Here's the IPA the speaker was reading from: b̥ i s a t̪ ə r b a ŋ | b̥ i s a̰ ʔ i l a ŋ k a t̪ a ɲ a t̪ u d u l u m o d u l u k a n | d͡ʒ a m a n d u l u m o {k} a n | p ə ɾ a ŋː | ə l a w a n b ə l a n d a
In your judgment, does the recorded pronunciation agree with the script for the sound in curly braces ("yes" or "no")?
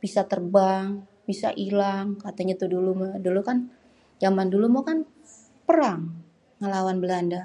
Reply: yes